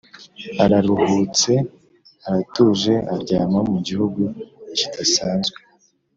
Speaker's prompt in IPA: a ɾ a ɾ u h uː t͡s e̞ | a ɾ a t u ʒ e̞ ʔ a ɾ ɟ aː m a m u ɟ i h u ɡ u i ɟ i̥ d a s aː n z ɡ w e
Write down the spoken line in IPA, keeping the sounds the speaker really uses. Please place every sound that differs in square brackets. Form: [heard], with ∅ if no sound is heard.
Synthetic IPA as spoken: a ɾ a ɾ u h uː t͡s e̞ | a ɾ a t u ʒ e̞ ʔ a ɾ ɟ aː m a m u ɟ i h u ɡ u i [c] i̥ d a s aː n z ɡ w e